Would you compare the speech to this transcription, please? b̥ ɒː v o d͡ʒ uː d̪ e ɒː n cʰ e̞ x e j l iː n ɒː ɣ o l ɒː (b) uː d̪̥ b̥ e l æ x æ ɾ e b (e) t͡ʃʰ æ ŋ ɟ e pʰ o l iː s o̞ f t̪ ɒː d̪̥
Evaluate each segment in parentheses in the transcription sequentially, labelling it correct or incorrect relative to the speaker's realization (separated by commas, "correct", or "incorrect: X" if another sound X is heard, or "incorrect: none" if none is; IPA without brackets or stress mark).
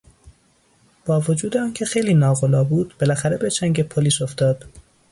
correct, correct